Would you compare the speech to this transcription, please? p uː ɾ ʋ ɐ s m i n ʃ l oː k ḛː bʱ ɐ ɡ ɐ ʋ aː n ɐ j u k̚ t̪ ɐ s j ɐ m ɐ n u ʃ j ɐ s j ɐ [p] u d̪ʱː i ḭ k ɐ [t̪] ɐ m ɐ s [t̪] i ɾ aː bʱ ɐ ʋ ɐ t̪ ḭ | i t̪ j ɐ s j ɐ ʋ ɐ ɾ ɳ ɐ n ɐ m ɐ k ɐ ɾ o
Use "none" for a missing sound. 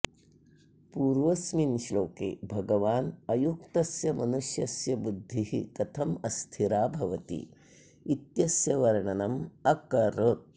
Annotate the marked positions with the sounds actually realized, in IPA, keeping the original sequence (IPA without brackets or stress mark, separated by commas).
b, t̪ʰ, t̪ʰ